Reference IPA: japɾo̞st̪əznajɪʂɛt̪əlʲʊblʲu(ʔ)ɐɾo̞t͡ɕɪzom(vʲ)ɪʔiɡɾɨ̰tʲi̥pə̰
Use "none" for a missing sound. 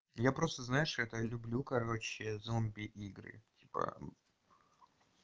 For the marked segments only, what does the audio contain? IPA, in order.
k, bʲ

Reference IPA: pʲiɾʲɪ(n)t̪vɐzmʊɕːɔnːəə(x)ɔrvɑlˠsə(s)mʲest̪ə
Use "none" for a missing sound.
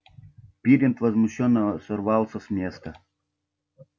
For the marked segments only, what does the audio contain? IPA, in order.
n, s, s

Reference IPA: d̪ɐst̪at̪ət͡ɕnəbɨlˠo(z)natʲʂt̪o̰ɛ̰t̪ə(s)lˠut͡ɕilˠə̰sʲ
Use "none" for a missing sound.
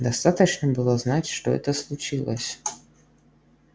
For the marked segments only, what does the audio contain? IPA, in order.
z, s

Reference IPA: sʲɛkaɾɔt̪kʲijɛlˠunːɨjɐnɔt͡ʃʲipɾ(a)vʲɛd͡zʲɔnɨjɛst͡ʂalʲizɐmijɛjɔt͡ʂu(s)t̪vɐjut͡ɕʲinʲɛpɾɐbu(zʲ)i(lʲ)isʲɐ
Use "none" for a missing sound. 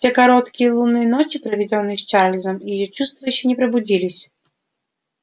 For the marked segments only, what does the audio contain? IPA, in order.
ɐ, s, d͡zʲ, lʲ

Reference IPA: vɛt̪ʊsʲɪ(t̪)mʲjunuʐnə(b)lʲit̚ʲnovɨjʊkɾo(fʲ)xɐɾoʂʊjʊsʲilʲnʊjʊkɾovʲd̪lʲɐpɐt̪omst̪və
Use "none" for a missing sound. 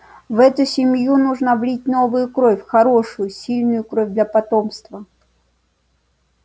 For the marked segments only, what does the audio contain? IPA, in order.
none, v, fʲ

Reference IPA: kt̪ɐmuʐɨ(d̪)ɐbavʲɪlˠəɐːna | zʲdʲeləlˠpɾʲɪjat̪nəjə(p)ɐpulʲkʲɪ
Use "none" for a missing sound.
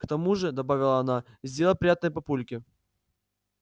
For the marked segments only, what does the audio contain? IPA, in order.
d̪, p

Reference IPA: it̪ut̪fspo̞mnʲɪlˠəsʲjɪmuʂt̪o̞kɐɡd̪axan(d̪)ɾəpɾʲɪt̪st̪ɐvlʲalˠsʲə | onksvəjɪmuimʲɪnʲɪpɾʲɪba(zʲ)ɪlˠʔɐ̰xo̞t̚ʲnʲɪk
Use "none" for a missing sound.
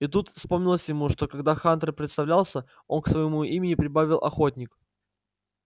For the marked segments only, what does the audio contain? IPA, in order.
t̪, vʲ

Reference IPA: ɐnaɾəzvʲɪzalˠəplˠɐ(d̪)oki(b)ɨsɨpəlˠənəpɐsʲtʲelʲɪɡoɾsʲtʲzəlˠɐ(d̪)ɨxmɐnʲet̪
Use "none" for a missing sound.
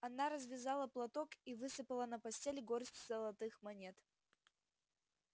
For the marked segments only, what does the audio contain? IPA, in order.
t̪, v, t̪

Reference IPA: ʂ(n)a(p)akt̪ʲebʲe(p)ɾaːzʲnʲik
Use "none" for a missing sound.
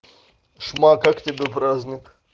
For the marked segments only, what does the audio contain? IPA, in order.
m, k, p

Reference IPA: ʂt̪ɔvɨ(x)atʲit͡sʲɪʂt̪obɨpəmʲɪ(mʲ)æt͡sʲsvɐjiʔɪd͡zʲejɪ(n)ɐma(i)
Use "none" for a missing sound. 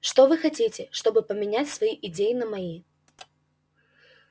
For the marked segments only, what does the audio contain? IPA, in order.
x, nʲ, n, i

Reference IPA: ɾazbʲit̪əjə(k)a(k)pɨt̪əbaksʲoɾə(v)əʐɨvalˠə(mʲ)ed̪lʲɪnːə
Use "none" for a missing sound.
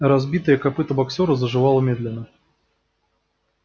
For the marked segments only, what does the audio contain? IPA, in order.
k, none, z, mʲ

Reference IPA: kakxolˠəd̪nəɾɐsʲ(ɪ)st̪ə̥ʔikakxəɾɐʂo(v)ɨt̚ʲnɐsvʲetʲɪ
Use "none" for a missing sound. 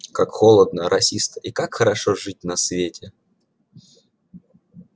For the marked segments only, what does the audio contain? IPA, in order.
i, ʐ

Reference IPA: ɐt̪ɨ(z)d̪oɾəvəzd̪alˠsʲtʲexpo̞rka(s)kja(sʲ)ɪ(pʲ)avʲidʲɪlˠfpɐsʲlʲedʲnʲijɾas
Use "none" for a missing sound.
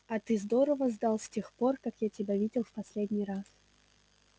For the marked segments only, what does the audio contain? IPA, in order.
z, none, tʲ, bʲ

